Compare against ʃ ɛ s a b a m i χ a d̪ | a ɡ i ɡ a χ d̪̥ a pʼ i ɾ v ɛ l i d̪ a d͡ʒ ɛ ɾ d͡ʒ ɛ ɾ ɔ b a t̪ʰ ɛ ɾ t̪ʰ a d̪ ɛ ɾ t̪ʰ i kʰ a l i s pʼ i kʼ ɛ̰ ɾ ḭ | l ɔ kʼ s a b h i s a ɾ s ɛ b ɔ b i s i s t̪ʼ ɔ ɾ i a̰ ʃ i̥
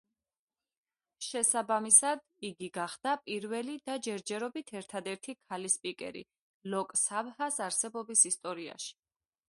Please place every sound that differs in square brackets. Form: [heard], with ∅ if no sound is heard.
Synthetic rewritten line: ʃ ɛ s a b a m i [s] a d̪ | [i] ɡ i ɡ a χ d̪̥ a pʼ i ɾ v ɛ l i d̪ a d͡ʒ ɛ ɾ d͡ʒ ɛ ɾ ɔ b [i] t̪ʰ ɛ ɾ t̪ʰ a d̪ ɛ ɾ t̪ʰ i kʰ a l i s pʼ i kʼ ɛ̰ ɾ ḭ | l ɔ kʼ s a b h [a] s a ɾ s ɛ b ɔ b i s i s t̪ʼ ɔ ɾ i a̰ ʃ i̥